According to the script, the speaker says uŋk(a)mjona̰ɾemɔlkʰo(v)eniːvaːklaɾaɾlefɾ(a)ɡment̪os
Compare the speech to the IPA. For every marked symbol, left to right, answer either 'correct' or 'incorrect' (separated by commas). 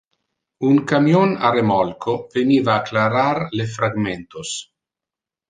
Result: correct, correct, correct